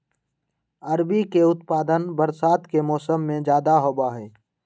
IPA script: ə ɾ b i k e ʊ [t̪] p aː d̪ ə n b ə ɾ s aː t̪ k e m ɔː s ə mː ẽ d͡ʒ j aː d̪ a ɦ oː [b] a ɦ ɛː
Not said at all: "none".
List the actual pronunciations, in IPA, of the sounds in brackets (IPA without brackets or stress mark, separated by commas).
t̪, b